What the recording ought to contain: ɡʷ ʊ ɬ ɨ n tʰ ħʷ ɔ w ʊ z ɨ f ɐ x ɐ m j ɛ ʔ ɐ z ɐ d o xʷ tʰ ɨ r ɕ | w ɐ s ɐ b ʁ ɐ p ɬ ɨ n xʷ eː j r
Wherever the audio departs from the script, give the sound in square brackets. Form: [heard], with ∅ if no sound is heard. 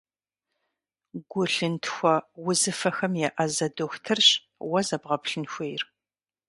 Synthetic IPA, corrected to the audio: ɡʷ ʊ ɬ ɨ n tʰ [xʷ] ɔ w ʊ z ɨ f ɐ x ɐ m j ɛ ʔ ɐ z ɐ d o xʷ tʰ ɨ r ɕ | w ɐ [z] ɐ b ʁ ɐ p ɬ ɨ n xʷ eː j r